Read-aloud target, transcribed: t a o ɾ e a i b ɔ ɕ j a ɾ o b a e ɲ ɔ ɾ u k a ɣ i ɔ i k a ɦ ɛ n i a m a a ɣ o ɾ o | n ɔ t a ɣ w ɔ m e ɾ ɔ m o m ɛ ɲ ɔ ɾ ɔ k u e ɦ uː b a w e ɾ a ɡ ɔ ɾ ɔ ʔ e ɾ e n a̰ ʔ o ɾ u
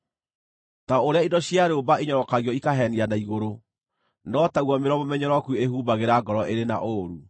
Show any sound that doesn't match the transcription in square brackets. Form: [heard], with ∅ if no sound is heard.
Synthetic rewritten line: t a o ɾ e a i [d] ɔ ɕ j a ɾ o b a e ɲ ɔ ɾ [ɔ] k a ɣ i ɔ i k a ɦ ɛ n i a [n] a [i] ɣ o ɾ o | n ɔ t a ɣ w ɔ m e ɾ ɔ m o m ɛ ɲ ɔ ɾ ɔ k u e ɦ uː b a [ɣ] e ɾ a ɡ ɔ ɾ ɔ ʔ e ɾ e n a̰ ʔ o ɾ u